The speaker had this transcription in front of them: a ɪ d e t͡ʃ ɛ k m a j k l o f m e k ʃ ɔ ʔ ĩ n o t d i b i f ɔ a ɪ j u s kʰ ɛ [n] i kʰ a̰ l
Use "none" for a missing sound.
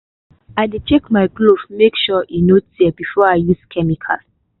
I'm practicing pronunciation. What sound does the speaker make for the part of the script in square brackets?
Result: m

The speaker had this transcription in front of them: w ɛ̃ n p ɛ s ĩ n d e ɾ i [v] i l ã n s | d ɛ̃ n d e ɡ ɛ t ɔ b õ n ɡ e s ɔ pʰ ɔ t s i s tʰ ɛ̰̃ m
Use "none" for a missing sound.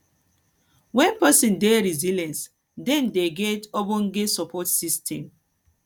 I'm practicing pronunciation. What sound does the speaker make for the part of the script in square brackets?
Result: z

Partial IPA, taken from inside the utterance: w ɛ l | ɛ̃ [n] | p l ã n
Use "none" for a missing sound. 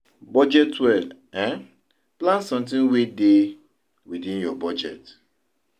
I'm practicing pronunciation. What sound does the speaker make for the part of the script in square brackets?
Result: n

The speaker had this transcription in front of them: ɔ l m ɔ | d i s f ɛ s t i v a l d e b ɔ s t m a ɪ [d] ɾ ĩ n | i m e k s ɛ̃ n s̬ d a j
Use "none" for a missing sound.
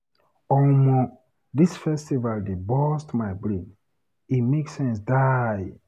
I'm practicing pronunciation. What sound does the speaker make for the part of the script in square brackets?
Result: b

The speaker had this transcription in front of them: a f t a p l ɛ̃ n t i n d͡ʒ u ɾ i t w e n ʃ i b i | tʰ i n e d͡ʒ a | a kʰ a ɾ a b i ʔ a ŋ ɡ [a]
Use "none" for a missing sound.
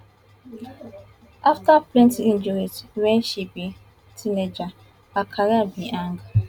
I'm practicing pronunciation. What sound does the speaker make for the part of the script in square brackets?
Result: a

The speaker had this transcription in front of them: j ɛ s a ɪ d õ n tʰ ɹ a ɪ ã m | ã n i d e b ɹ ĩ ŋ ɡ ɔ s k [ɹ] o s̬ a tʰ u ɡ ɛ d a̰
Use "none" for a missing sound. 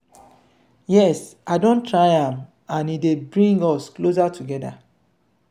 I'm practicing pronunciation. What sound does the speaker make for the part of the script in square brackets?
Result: l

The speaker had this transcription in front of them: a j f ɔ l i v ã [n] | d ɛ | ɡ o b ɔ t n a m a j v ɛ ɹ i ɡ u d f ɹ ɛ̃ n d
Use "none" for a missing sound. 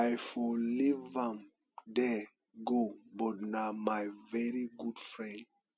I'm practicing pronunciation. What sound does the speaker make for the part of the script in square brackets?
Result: m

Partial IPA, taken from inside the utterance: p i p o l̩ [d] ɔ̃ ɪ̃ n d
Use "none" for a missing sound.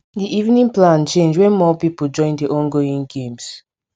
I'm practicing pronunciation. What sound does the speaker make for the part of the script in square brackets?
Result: d͡ʒ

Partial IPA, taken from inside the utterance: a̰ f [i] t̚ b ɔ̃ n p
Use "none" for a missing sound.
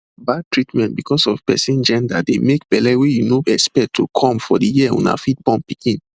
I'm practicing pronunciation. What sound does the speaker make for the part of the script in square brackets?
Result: i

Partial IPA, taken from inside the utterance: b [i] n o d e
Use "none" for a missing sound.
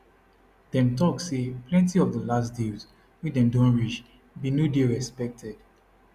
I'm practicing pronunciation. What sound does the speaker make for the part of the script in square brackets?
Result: i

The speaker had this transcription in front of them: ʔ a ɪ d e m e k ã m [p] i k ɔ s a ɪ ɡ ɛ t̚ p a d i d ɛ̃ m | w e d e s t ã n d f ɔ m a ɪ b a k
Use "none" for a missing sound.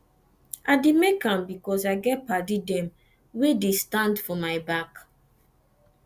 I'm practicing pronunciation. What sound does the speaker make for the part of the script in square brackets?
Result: b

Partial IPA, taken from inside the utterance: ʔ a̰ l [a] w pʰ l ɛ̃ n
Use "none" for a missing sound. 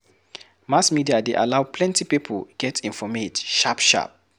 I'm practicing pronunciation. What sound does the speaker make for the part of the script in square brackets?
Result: a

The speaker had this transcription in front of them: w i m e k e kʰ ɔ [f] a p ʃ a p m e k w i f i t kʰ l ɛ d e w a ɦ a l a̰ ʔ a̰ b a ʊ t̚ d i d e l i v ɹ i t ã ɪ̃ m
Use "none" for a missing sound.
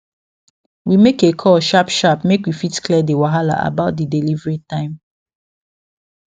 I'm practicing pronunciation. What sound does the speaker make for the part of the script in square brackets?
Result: ʃ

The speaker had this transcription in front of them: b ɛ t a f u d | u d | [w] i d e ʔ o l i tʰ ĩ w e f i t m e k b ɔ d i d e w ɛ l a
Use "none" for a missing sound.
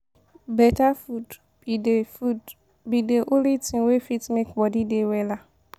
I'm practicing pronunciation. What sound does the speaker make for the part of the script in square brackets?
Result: b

